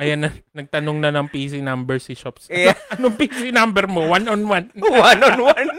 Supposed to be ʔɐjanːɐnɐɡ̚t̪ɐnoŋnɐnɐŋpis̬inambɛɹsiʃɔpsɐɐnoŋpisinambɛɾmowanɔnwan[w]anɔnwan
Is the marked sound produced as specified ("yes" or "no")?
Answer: yes